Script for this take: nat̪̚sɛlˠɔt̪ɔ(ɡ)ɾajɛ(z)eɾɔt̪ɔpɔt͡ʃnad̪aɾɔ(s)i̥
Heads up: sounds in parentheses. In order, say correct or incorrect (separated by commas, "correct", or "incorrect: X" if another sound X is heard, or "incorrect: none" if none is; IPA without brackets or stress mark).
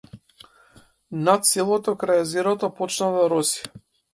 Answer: incorrect: k, correct, correct